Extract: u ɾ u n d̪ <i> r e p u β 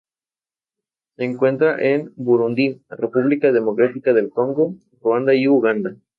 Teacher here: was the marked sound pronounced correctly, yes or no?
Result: yes